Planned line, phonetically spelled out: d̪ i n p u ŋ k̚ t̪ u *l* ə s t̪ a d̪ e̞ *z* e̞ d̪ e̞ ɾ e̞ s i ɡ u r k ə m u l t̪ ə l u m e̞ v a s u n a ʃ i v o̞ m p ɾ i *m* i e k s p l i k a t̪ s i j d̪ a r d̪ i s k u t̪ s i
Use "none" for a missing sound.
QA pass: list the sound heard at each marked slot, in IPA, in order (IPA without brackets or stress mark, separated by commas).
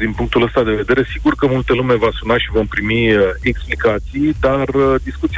l, v, m